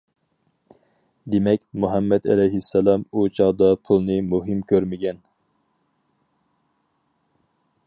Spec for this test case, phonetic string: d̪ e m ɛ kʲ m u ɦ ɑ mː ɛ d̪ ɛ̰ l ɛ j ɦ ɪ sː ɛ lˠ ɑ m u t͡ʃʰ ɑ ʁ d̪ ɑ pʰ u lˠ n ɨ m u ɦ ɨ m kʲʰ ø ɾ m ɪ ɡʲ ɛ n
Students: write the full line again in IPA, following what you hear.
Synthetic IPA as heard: d̪ e m ɛ kʲ m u ɦ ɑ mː ɛ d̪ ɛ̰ l ɛ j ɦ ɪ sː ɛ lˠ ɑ m u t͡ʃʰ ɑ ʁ d̪ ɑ pʰ u lˠ n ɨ m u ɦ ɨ m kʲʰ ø ɾ m ɪ ɡʲ ɛ n

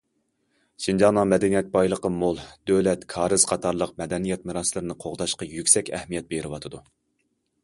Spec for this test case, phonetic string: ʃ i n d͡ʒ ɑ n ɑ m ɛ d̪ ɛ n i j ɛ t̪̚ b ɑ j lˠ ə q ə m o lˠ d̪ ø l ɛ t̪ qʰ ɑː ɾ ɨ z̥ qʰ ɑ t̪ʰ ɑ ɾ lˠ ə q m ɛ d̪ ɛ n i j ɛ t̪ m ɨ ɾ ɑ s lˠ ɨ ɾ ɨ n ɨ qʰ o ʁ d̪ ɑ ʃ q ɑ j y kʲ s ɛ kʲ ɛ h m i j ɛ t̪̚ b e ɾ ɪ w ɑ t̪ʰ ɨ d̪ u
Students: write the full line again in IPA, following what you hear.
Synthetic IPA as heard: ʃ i n d͡ʒ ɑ n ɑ m ɛ d̪ ɛ n i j ɛ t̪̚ b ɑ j lˠ ə q ə m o lˠ d̪ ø l ɛ t̪ kʰ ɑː ɾ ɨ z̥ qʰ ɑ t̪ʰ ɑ ɾ lˠ ə q m ɛ d̪ ɛ n i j ɛ t̪ m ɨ ɾ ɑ s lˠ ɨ ɾ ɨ n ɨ qʰ o ʁ d̪ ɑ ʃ q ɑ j y kʲ s ɛ kʲ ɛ h m i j ɛ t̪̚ b e ɾ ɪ w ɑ t̪ʰ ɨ d̪ u

